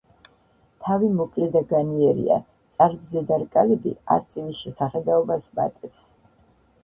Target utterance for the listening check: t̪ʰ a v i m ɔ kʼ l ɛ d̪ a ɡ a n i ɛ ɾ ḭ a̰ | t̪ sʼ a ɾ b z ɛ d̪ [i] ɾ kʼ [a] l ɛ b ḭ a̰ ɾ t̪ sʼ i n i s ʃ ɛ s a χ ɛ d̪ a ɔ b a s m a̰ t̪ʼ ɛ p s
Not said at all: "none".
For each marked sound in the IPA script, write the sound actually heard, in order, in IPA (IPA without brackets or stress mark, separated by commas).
a, a